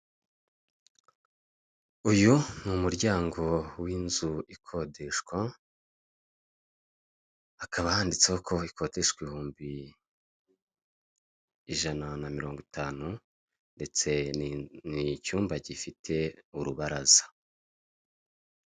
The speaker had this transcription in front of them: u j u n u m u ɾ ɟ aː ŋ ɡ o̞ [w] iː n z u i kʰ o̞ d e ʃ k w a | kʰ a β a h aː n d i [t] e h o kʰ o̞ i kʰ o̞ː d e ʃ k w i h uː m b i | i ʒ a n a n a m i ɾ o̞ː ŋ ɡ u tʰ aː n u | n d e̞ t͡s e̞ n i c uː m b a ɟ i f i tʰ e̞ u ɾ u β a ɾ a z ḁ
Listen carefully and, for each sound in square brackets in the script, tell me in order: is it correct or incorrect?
correct, incorrect: t͡s

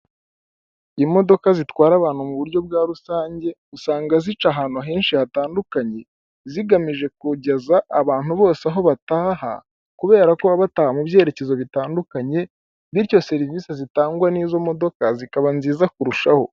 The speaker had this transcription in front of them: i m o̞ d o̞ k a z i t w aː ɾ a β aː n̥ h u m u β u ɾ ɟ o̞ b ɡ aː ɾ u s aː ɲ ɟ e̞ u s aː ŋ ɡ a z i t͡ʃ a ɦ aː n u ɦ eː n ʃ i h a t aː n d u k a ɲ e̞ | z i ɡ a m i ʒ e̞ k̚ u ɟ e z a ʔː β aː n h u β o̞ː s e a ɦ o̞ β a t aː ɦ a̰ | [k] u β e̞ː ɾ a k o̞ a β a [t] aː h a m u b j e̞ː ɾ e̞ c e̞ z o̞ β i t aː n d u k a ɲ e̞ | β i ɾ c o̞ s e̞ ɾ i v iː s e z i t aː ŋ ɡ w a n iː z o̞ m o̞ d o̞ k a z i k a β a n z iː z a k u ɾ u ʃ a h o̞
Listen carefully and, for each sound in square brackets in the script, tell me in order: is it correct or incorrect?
correct, correct

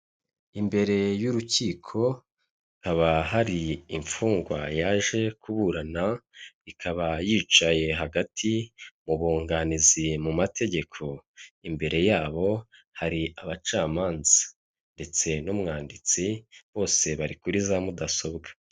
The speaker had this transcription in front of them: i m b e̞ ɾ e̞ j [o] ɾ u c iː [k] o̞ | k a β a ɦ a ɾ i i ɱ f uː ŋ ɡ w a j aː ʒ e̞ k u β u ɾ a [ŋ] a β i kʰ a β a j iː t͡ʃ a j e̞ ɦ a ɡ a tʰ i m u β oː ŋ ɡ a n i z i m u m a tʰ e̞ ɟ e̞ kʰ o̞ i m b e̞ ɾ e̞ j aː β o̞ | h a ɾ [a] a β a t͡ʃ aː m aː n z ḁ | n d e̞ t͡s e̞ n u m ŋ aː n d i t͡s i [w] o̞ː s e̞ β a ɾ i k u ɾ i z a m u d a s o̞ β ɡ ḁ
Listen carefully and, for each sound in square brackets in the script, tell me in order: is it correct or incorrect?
incorrect: u, incorrect: kʰ, incorrect: n, incorrect: i, incorrect: β

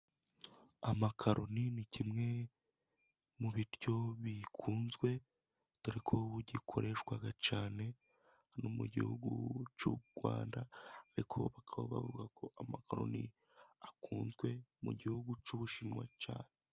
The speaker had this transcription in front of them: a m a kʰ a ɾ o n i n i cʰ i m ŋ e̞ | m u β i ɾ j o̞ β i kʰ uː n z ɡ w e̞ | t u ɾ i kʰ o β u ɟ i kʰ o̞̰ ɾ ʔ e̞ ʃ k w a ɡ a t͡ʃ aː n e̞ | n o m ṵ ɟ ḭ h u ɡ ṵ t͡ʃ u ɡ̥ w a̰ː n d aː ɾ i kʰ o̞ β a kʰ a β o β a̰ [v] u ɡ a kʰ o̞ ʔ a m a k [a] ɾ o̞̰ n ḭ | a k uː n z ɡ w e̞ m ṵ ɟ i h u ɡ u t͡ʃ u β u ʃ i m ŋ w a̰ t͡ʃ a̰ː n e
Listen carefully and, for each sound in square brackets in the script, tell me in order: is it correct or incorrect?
correct, correct

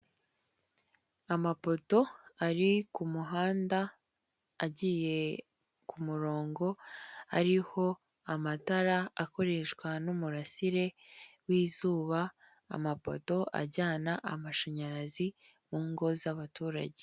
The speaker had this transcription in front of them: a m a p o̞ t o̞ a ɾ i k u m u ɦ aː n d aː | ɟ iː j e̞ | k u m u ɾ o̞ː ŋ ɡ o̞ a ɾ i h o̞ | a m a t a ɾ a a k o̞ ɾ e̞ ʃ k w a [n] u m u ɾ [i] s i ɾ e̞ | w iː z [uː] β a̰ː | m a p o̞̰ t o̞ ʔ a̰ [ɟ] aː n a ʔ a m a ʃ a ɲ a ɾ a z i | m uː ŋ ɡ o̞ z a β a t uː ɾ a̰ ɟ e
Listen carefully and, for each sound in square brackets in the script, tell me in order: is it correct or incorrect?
correct, incorrect: a, correct, correct

